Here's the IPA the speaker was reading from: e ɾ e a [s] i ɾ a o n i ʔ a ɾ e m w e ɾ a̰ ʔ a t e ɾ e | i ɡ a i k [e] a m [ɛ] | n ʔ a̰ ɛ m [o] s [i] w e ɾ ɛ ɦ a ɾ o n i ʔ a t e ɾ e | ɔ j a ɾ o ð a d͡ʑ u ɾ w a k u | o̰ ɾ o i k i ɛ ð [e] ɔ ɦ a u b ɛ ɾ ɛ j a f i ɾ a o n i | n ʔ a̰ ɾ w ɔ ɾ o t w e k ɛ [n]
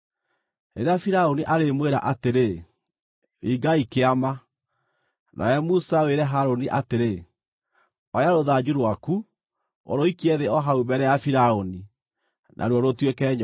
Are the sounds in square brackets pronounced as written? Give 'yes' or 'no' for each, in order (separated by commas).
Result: no, yes, no, no, no, yes, no